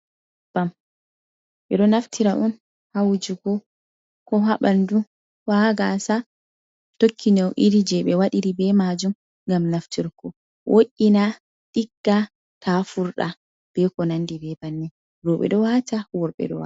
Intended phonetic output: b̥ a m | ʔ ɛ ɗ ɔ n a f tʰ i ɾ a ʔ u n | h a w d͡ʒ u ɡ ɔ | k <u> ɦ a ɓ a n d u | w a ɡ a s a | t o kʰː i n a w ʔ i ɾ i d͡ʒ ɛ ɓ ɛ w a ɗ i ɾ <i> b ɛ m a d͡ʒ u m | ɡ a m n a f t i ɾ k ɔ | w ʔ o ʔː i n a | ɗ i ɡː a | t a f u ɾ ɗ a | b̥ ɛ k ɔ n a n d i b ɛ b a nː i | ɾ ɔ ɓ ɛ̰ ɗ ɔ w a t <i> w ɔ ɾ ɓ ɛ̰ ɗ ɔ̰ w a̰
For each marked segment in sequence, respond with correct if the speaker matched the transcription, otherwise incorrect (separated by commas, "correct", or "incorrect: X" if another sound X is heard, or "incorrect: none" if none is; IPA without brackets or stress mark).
incorrect: ɔ, correct, incorrect: a